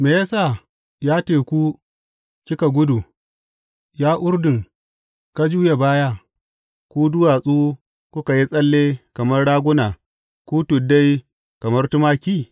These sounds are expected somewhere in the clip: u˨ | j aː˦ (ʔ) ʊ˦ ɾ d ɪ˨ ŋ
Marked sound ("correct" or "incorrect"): correct